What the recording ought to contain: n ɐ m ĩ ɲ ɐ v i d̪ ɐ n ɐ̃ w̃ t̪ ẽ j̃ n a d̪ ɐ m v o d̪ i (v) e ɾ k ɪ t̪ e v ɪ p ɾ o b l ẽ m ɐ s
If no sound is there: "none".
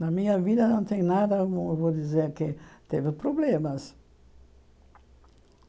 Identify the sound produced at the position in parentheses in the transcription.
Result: z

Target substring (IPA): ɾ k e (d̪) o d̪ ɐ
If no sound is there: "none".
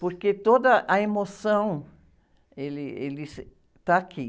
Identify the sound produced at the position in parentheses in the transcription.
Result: t̪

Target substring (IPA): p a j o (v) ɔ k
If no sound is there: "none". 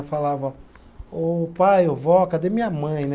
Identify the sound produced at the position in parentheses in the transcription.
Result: v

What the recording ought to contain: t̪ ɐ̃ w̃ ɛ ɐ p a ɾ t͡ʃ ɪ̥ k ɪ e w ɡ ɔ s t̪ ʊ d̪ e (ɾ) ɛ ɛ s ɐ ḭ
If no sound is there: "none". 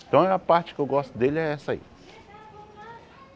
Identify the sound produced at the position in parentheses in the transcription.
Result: l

